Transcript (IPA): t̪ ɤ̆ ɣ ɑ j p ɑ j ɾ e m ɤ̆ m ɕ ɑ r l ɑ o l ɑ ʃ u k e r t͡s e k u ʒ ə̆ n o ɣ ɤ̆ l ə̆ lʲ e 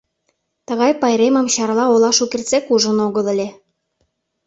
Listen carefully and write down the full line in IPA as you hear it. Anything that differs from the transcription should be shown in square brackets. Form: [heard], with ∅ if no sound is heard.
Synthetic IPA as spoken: t̪ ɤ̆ ɣ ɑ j p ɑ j ɾ e m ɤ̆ m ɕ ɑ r l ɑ o l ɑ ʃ u k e r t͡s e k u ʒ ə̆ n o ɣ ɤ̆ l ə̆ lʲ e